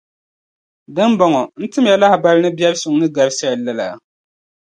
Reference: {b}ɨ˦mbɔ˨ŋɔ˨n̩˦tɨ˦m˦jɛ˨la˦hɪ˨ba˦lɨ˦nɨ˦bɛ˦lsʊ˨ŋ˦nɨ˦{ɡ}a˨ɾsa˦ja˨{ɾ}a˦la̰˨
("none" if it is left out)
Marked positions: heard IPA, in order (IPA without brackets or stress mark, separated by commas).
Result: d, ɡ, l